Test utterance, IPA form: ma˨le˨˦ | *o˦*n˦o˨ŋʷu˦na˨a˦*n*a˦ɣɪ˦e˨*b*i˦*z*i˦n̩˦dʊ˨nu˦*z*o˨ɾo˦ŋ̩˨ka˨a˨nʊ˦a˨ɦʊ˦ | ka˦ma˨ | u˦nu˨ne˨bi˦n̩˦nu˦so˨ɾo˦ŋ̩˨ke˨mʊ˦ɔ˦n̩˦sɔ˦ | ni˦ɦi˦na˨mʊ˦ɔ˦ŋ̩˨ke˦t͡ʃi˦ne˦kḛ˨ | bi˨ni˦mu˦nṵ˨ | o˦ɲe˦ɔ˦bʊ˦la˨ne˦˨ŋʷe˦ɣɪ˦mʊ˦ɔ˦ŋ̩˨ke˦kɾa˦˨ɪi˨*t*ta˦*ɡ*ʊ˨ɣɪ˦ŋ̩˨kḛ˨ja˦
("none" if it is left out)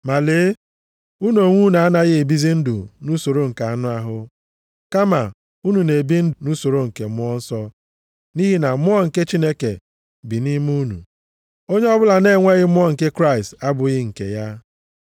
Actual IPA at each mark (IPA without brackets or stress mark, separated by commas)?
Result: u˦, n, b, z, s, s, b